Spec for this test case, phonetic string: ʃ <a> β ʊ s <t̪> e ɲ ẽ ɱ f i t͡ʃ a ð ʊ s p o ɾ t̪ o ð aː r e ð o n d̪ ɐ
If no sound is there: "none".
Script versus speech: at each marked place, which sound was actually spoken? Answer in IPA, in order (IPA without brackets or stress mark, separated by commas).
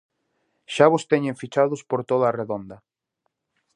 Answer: a, t̪